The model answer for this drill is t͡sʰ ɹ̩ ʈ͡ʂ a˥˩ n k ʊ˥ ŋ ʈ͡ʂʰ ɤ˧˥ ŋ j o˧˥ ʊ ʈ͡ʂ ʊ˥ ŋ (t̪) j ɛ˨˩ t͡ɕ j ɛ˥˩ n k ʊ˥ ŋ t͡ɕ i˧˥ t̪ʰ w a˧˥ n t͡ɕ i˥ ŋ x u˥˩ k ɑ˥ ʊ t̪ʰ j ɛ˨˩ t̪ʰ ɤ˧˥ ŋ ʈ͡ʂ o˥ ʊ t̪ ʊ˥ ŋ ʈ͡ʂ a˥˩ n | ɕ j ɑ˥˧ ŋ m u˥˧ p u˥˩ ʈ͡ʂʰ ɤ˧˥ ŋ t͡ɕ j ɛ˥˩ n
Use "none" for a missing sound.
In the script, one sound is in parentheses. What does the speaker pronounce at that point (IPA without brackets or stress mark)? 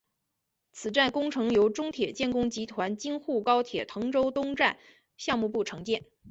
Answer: t̪ʰ